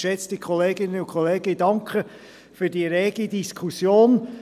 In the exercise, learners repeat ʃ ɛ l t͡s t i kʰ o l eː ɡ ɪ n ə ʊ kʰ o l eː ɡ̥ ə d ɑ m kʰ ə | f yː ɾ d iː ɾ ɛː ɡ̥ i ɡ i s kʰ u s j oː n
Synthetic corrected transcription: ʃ ɛ t͡s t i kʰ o l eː ɡ ɪ n ə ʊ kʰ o l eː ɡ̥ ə d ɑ ŋ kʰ ə | f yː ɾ d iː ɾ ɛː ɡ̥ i d i s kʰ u s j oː n

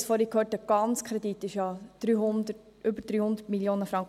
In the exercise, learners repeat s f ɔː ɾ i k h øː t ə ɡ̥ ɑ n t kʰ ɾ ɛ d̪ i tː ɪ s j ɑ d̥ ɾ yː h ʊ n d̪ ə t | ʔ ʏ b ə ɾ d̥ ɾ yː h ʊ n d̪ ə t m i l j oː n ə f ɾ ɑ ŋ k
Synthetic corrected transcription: s f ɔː ɾ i k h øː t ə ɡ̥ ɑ n t͡s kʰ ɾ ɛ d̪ i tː ɪ ʃ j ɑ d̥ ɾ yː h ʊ n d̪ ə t | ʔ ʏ b ə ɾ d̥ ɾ yː h ʊ n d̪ ə t m i l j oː n ə f ɾ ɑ ŋ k

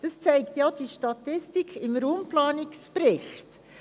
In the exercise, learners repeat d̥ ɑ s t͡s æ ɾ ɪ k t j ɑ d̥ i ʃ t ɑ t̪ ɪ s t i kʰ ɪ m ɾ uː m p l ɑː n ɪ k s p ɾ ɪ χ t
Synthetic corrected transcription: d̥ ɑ s t͡s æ ɪ k t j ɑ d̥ i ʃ t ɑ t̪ ɪ s t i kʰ ɪ m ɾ uː m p l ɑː n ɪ k s p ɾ ɪ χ t

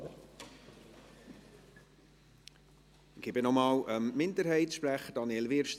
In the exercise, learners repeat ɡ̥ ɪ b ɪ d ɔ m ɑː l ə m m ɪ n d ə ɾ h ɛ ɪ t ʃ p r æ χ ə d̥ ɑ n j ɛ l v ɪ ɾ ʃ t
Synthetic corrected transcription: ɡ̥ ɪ b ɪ n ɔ m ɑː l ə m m ɪ n d ə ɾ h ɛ ɪ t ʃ p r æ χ ə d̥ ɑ n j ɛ l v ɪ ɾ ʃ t

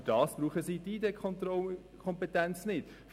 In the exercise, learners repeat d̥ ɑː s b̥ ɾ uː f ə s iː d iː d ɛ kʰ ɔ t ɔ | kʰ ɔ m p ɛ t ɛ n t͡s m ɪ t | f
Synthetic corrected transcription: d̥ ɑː s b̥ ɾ uː χ ə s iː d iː d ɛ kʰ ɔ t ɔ | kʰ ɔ m p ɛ t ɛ n t͡s n ɪ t | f

